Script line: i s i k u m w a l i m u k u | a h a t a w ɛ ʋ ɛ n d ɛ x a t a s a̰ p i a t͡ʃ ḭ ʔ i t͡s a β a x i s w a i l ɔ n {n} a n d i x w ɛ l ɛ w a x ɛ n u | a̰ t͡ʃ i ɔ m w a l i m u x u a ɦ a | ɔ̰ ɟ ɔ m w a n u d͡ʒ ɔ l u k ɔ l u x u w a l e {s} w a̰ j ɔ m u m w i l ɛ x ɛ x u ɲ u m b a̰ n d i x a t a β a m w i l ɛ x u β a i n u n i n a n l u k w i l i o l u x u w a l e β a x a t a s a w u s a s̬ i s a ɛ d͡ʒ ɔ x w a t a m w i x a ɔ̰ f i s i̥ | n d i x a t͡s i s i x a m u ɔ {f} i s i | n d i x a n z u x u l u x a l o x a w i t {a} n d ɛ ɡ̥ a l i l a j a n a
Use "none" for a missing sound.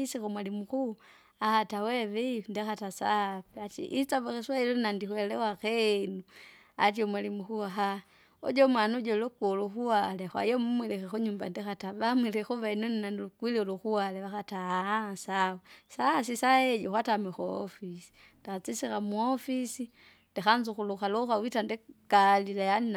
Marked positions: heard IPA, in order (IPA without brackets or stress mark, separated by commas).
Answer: n, x, f, a